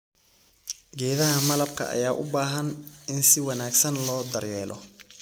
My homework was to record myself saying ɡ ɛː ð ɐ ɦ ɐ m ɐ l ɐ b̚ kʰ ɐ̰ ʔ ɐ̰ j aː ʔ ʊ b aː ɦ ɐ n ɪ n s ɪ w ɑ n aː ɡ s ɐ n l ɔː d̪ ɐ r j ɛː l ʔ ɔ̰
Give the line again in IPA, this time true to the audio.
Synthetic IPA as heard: ɡ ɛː ð ɐ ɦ ɐ m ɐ l ɐ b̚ kʰ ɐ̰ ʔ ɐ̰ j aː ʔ ʊ b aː ɦ ɐ n ɪ n s ɪ w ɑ n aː ɡ s ɐ n l ɔː d̪ ɐ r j ɛː l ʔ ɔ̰